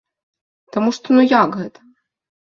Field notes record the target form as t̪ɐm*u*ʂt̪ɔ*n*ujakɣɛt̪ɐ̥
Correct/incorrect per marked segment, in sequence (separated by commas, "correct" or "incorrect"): correct, correct